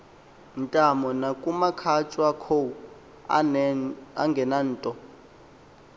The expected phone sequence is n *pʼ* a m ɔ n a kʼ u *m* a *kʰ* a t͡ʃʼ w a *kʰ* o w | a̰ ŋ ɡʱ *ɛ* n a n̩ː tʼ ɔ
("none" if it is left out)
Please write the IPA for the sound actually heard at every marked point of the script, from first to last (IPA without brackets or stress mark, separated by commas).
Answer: tʼ, m, kʰ, kʰ, ɛ